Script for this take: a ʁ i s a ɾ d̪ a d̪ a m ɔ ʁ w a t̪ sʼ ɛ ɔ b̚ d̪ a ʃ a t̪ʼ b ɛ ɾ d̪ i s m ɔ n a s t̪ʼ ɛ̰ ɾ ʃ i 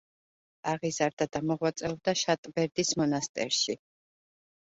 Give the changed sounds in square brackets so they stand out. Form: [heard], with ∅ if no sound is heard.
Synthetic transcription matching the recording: a ʁ i [z] a ɾ d̪ a d̪ a m ɔ ʁ w a t̪ sʼ ɛ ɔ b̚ d̪ a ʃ a t̪ʼ b ɛ ɾ d̪ i s m ɔ n a s t̪ʼ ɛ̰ ɾ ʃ i

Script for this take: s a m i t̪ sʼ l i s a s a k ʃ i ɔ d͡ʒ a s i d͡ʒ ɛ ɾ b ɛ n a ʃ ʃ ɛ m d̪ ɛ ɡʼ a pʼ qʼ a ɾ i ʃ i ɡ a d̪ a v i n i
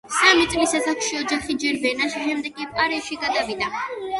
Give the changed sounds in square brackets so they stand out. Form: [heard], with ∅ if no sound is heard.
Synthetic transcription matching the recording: s a m i t̪ sʼ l i s a s a k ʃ i ɔ d͡ʒ a [χ] i d͡ʒ ɛ ɾ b ɛ n a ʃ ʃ ɛ m d̪ ɛ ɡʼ [i] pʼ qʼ a ɾ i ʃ i ɡ a d̪ a v i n [a]

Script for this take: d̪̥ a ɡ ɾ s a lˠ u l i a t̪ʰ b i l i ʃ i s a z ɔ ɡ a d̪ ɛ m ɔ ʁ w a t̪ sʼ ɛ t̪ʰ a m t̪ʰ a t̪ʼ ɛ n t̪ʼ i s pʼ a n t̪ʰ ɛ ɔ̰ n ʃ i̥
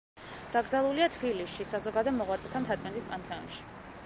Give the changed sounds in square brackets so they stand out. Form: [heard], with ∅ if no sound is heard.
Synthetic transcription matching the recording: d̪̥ a ɡ ɾ [z] a lˠ u l i a t̪ʰ b i l i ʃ i s a z ɔ ɡ a d̪ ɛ m ɔ ʁ w a t̪ sʼ ɛ t̪ʰ a m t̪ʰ a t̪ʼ ɛ n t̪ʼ i s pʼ a n t̪ʰ ɛ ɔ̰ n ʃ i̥

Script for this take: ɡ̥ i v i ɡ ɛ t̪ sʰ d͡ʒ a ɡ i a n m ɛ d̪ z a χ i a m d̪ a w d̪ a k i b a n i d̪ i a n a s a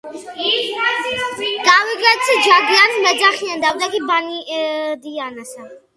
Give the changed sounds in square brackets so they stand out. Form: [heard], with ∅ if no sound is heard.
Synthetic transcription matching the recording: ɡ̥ [a] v i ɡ ɛ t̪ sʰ d͡ʒ a ɡ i a n m ɛ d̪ z a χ i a [n] d̪ a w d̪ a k i b a n i d̪ i a n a s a

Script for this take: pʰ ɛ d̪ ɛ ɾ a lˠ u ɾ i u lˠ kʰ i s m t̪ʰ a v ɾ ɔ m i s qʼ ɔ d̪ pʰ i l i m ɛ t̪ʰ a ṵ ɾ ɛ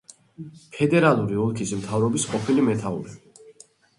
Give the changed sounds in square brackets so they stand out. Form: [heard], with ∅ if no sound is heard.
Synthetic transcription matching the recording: pʰ ɛ d̪ ɛ ɾ a lˠ u ɾ i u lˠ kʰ i s m t̪ʰ a v ɾ ɔ [b] i s qʼ ɔ [∅] pʰ i l i m ɛ t̪ʰ a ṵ ɾ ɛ

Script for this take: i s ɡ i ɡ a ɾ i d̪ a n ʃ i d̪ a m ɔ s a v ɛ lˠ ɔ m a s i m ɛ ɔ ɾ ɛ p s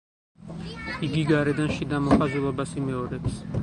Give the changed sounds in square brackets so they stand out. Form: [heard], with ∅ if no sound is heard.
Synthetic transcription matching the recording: i [∅] ɡ i ɡ a ɾ [ɛ] d̪ a n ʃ i d̪ a m ɔ [χ] a [z] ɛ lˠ ɔ [b] a s i m ɛ ɔ ɾ ɛ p s

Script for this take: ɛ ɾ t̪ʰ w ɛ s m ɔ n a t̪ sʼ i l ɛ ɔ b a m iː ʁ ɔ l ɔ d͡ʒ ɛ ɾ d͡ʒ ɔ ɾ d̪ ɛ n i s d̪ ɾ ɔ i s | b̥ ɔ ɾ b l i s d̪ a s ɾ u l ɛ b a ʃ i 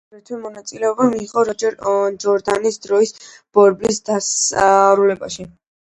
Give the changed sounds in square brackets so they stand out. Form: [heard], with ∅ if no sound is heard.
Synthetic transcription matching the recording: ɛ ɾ t̪ʰ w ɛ [∅] m ɔ n a t̪ sʼ i l ɛ ɔ b a m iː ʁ ɔ [ɾ] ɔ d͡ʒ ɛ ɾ d͡ʒ ɔ ɾ d̪ [a] n i s d̪ ɾ ɔ i s | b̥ ɔ ɾ b l i s d̪ a s ɾ u l ɛ b a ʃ i

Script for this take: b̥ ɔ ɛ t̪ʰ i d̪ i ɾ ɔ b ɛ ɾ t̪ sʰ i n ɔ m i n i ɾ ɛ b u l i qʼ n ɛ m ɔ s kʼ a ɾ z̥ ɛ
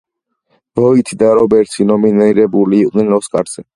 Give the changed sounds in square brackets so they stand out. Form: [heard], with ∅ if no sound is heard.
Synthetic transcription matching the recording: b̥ ɔ [i] t̪ʰ i d̪ [a] ɾ ɔ b ɛ ɾ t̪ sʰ i n ɔ m i n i ɾ ɛ b u l [iː] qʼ n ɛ [n] ɔ s kʼ a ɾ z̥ ɛ

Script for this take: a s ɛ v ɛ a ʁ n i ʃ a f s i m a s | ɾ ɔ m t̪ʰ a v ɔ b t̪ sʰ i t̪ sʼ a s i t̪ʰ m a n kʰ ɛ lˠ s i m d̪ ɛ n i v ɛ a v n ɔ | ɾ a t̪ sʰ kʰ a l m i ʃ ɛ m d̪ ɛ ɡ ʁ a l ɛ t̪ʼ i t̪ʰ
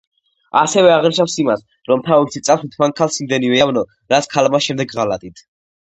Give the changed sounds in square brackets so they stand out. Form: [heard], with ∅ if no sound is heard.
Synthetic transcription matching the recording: a s ɛ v ɛ a ʁ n i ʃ a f s i m a s | ɾ ɔ m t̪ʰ a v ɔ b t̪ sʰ i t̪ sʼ a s i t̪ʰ m a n kʰ [a] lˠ s i m d̪ ɛ n i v ɛ a v n ɔ | ɾ a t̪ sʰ kʰ a l m [a] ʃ ɛ m d̪ ɛ ɡ ʁ a l [a] t̪ʼ i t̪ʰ

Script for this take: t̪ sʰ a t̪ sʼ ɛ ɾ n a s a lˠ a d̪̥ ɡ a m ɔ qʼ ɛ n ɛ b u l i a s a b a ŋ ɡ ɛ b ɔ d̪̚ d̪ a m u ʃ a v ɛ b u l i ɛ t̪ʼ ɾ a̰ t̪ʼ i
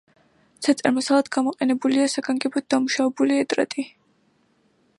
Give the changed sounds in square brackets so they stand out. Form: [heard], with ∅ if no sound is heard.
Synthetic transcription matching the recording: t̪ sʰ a t̪ sʼ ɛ ɾ [m] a s a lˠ a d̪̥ ɡ a m ɔ qʼ ɛ n ɛ b u l i a s a [ɡ] a ŋ ɡ ɛ b ɔ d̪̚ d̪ a m u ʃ a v ɛ b u l i ɛ t̪ʼ ɾ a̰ t̪ʼ i

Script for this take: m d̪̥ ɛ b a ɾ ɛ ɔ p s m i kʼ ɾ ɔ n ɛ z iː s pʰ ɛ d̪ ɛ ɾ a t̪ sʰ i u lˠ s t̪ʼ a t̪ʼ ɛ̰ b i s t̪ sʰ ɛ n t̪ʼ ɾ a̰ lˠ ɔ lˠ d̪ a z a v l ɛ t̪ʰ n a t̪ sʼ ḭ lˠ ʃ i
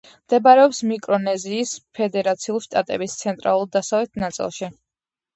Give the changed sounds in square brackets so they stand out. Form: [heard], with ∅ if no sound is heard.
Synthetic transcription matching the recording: m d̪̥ ɛ b a ɾ ɛ ɔ p s m i kʼ ɾ ɔ n ɛ z iː s pʰ ɛ d̪ ɛ ɾ a t̪ sʰ i u lˠ [ʃ] t̪ʼ a t̪ʼ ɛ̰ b i s t̪ sʰ ɛ n t̪ʼ ɾ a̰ lˠ [u] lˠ d̪ a [s] a v l ɛ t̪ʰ n a t̪ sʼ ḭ lˠ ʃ i

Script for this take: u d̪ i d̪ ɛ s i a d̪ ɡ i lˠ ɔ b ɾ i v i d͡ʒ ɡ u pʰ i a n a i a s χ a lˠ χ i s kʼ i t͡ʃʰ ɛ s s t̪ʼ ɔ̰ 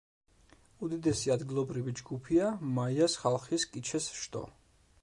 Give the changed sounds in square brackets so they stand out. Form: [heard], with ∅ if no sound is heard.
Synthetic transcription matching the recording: u d̪ i d̪ ɛ s i a d̪ ɡ i lˠ ɔ b ɾ i v i d͡ʒ ɡ u pʰ i a [m] a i a s χ a lˠ χ i s kʼ i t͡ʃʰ ɛ s [ʃ] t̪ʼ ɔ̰

